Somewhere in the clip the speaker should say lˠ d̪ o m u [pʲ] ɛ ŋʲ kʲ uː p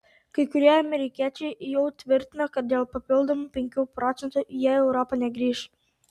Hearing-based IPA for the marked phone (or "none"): pʲ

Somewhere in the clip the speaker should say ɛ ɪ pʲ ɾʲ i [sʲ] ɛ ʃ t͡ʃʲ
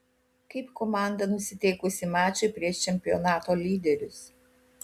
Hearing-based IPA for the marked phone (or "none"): none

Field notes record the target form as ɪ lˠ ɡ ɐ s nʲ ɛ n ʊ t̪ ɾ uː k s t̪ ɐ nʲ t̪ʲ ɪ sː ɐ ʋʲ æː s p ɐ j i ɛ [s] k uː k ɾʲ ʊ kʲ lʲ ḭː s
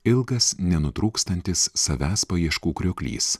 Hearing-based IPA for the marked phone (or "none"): ʃ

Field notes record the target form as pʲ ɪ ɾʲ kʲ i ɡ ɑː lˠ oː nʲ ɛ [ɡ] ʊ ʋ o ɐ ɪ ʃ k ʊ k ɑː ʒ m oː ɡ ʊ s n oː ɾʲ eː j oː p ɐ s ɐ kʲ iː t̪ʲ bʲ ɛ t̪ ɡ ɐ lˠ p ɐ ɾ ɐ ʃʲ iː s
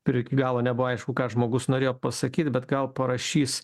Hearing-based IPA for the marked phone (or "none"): b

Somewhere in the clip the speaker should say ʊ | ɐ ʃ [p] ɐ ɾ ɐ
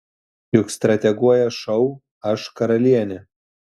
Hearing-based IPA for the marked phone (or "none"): k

